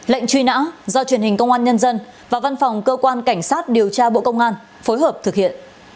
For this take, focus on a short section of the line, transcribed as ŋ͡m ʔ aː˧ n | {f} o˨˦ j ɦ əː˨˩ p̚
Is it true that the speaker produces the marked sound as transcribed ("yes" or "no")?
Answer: yes